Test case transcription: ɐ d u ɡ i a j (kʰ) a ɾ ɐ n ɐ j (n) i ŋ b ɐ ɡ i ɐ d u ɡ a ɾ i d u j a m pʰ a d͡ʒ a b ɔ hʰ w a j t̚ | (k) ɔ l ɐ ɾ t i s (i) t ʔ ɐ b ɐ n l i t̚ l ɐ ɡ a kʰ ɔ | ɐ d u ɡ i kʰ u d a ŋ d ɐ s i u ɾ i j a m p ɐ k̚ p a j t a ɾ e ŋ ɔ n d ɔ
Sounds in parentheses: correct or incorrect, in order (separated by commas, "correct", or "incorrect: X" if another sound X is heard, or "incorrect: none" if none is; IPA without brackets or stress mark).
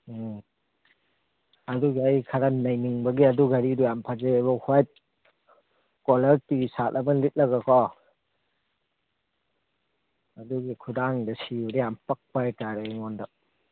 correct, correct, correct, incorrect: a